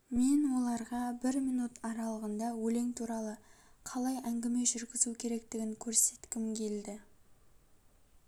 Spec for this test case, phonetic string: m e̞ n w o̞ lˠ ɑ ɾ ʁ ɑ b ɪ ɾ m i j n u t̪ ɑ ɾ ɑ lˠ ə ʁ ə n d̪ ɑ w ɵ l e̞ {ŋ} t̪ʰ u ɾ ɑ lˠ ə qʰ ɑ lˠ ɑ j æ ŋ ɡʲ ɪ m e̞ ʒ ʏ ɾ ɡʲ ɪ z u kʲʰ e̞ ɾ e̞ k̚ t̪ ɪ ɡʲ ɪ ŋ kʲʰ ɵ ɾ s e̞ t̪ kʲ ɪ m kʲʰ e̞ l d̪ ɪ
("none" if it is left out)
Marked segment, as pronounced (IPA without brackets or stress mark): ŋ